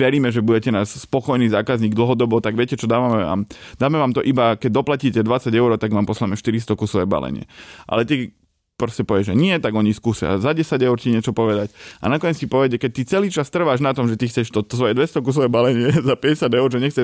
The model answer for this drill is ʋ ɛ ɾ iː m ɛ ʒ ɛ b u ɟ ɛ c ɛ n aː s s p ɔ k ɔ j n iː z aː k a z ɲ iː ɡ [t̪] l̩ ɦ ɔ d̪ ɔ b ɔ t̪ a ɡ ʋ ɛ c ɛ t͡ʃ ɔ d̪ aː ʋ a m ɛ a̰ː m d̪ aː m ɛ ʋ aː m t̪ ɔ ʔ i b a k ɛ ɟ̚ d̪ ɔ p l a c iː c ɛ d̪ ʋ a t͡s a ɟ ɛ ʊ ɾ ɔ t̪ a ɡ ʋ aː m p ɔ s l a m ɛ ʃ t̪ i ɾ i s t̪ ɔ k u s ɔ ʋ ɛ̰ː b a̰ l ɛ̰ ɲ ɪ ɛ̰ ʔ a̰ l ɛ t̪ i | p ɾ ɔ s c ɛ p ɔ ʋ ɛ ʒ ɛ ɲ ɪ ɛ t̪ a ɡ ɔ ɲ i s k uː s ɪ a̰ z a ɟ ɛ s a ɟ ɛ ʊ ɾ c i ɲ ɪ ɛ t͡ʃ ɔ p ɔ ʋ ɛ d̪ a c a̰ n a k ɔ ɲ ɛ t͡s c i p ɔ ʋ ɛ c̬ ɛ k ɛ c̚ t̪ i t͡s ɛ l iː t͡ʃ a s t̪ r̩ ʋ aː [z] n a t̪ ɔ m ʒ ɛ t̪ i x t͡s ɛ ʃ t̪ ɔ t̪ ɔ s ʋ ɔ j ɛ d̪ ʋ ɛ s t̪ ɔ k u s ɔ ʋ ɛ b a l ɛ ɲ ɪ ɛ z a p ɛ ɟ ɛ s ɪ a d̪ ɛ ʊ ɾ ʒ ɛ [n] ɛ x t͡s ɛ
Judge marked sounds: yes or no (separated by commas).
no, no, no